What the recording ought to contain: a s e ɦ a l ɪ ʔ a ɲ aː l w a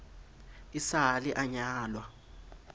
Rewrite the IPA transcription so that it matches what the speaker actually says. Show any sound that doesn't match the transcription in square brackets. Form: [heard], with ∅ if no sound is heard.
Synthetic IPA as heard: [i] s [a] ɦ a l [i] ʔ a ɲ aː l w a